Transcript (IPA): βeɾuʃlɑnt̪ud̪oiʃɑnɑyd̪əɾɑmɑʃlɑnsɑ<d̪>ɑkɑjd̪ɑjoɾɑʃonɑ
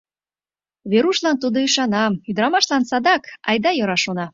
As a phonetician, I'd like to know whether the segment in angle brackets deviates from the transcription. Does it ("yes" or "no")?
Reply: no